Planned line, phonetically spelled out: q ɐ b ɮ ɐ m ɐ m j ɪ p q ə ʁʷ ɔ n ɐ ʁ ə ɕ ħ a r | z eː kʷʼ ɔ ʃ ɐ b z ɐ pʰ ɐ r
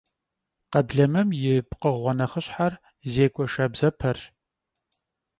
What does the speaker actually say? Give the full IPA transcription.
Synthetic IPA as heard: q ɐ b ɮ ɐ m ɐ m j ɪ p q ə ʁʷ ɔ n ɐ χ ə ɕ ħ a r | z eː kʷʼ ɔ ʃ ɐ b z ɐ pʰ ɐ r